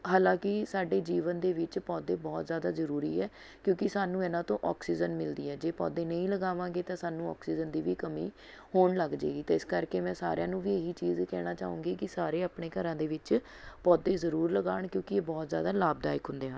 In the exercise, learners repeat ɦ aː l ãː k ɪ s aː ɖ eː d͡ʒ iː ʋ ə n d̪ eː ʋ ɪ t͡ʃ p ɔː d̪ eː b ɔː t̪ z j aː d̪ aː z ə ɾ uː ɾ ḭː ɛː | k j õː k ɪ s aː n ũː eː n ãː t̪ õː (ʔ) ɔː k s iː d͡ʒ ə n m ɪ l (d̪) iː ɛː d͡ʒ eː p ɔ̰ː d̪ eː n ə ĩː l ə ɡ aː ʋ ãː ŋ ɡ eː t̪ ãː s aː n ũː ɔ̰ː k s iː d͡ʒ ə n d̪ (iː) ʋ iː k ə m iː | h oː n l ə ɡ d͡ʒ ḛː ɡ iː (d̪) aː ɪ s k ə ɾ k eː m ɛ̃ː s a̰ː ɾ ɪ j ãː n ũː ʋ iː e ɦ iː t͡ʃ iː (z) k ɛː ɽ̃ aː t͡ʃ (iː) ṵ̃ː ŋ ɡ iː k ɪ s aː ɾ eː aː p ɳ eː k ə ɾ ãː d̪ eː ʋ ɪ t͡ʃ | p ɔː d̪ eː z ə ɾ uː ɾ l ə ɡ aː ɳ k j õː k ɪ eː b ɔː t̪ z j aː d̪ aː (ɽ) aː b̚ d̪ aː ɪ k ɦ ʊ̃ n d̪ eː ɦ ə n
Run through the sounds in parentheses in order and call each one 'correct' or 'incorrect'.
correct, correct, correct, incorrect: t̪, correct, incorrect: aː, incorrect: l

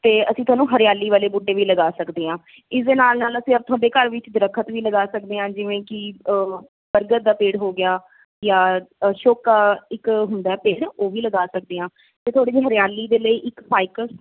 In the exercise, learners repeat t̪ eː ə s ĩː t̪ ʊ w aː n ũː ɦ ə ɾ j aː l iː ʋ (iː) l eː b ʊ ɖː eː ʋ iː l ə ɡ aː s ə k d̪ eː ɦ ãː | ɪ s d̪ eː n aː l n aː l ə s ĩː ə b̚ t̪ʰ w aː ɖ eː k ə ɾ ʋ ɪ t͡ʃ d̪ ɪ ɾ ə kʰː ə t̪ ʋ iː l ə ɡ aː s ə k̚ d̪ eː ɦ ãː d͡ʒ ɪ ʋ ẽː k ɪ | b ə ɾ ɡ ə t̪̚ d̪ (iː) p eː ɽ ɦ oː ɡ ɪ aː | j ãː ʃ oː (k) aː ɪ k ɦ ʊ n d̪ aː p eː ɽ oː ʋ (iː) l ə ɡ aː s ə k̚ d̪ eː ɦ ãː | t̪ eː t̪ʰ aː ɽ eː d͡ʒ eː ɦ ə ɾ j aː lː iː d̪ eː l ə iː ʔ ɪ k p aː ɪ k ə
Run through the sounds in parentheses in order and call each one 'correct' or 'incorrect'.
incorrect: aː, incorrect: aː, correct, correct

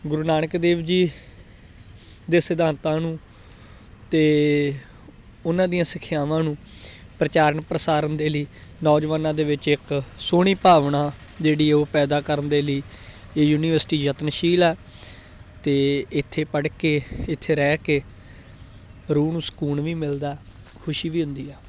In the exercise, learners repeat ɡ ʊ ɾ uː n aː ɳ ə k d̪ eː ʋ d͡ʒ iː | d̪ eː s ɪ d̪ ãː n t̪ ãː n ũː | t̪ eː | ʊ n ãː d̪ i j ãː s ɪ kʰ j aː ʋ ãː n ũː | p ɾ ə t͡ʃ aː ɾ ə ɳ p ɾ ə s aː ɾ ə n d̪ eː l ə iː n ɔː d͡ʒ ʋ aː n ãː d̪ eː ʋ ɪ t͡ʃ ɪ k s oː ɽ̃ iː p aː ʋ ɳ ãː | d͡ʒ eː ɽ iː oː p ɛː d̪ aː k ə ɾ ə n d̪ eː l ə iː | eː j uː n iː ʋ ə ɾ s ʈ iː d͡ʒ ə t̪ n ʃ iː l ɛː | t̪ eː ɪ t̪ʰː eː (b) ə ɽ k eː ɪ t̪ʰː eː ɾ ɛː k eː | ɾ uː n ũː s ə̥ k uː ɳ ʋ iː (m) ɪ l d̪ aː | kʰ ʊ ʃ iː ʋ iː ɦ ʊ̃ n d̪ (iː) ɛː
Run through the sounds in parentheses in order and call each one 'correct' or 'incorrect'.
incorrect: p, correct, correct

